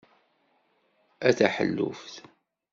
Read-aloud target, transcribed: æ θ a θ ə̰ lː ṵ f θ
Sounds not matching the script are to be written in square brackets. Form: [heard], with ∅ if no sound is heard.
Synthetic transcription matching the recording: æ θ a [ħ] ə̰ lː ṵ f θ